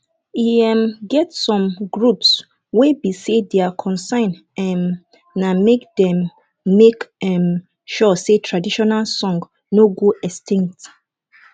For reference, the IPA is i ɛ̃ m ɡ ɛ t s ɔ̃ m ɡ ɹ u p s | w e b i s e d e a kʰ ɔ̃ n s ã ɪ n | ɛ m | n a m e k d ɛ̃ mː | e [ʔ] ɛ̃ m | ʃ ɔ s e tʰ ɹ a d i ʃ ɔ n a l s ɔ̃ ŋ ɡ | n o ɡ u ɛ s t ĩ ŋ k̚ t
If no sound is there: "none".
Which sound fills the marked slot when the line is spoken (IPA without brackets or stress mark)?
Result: k